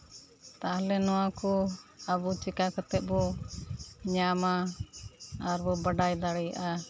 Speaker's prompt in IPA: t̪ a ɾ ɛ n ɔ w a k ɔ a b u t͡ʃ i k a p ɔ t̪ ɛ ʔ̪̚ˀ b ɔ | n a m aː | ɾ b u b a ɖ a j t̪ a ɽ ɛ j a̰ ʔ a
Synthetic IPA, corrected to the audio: t̪ a l ɛ n ɔ w a k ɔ a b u t͡ʃ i k a k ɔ t̪ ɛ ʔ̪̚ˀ b ɔ | ɲ a m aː | ɾ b ɔ b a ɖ a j d̪ a ɽ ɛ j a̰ ʔ a